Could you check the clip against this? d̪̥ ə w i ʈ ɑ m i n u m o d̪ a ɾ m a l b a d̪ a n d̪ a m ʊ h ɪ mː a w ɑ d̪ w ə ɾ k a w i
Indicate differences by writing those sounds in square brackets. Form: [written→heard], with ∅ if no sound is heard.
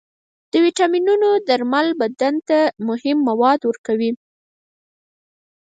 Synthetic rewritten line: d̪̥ ə w i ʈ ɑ m i n u [m→n] o d̪ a ɾ m a l b a d̪ a n [d̪→t̪] a m ʊ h ɪ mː a w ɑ d̪ w ə ɾ k a w i